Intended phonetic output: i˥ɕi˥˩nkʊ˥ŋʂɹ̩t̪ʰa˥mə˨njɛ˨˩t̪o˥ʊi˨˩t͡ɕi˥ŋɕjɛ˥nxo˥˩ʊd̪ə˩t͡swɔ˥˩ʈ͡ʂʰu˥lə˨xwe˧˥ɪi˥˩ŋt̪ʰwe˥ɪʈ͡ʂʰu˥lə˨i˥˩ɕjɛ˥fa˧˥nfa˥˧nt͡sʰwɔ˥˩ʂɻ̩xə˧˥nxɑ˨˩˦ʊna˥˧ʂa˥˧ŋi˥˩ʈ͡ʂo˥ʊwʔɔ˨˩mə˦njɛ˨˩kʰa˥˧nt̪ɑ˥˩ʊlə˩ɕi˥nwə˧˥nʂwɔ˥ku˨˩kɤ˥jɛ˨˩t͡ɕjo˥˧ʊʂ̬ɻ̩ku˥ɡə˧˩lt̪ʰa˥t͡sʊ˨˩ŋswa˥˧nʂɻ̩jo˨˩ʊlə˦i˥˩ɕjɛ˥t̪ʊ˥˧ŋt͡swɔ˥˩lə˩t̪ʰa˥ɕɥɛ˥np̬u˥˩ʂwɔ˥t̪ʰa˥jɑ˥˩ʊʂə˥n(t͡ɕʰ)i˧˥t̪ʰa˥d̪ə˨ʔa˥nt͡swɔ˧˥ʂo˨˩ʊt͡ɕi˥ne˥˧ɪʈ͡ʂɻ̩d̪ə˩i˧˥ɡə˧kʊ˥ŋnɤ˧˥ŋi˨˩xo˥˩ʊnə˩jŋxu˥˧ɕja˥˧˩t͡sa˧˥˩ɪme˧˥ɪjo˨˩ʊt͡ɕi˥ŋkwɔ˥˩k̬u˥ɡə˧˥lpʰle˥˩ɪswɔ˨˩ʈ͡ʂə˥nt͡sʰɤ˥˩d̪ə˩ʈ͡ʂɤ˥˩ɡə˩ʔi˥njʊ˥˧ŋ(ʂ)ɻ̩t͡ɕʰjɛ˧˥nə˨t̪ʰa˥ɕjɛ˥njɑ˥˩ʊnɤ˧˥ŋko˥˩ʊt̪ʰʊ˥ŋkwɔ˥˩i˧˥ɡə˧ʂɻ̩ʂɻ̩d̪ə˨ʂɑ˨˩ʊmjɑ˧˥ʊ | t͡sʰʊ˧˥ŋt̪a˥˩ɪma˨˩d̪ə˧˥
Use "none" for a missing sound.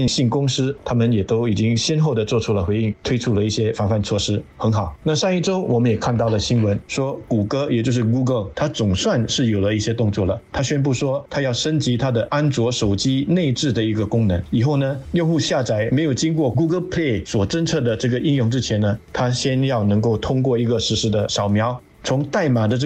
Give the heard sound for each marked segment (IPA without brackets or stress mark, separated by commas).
t͡ɕ, ʈ͡ʂ